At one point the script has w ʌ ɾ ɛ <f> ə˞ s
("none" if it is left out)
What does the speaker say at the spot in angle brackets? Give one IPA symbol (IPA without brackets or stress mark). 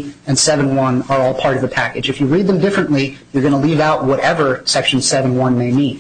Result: v